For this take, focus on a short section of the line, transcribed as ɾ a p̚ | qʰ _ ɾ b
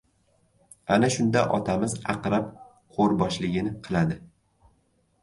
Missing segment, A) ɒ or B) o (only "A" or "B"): B